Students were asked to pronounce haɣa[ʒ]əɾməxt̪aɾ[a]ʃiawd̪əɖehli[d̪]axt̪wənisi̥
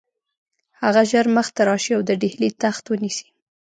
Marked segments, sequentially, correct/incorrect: correct, incorrect: ɑ, incorrect: t̪

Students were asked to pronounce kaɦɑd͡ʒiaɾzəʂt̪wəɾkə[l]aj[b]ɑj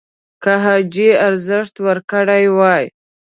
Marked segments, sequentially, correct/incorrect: incorrect: ɽ, incorrect: w

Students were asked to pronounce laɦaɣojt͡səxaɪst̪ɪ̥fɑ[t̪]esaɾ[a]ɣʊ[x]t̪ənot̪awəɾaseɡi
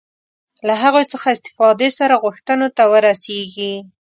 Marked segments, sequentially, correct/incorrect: incorrect: d̪, correct, correct

